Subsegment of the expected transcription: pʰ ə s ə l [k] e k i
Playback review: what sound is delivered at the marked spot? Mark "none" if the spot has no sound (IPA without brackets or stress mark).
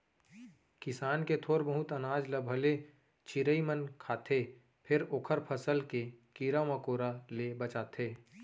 k